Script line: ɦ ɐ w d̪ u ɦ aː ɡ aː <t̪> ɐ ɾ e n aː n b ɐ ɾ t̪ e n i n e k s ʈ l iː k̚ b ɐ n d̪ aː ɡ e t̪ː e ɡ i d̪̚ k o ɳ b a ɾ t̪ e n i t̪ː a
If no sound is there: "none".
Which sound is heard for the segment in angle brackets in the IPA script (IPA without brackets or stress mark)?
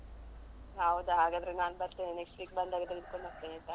d̪